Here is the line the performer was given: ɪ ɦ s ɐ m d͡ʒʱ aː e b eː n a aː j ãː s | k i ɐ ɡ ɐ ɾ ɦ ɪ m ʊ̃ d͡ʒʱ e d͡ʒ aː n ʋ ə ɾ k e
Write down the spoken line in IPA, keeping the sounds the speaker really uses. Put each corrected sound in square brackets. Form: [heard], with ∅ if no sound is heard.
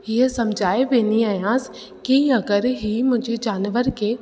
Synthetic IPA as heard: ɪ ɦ s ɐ m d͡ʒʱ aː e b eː n [i] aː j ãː s | k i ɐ ɡ [ə] ɾ ɦ [i] m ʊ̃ d͡ʒʱ e d͡ʒ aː n ʋ ə ɾ k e